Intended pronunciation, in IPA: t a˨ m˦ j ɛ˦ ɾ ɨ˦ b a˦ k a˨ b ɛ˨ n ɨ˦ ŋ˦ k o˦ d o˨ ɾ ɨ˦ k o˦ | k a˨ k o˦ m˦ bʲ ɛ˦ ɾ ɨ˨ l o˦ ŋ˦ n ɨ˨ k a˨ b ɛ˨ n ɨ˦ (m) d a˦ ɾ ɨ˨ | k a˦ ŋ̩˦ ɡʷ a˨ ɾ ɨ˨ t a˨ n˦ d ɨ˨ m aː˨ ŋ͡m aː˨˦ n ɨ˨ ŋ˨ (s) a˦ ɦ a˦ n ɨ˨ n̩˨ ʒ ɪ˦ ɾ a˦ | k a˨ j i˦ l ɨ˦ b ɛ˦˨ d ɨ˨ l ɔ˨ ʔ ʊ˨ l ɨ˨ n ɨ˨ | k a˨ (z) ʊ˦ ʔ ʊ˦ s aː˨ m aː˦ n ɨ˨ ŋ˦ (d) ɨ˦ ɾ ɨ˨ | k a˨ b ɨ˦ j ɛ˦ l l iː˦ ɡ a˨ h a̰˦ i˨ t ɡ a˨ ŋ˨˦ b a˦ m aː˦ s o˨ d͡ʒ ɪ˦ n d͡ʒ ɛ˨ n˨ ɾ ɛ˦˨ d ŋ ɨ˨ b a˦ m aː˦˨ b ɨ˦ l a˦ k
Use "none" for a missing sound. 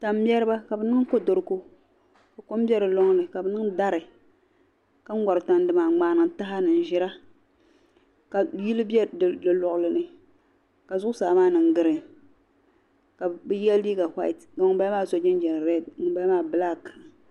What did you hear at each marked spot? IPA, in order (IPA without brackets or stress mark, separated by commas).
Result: ŋ, t, z, ɡ